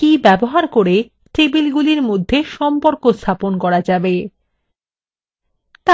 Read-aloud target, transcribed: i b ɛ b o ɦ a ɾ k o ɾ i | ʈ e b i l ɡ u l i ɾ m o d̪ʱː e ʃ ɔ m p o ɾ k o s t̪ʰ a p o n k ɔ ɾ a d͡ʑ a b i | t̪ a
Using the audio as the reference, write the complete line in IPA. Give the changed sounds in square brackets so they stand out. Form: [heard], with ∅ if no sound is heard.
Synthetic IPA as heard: i b ɛ b o ɦ a ɾ k o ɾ [e] | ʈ e b i l ɡ u l i ɾ m o d̪ʱː e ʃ ɔ m p o ɾ k o s t̪ʰ a p o n k ɔ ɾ a d͡ʑ a b [e] | t̪ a